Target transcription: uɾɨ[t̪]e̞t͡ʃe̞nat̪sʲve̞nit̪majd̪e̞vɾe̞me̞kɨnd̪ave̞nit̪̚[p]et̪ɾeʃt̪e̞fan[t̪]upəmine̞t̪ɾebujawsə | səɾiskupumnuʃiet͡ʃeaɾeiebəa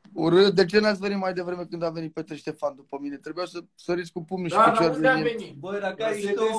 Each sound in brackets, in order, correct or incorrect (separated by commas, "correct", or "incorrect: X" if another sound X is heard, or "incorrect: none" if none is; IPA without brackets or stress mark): incorrect: d̪, correct, incorrect: d̪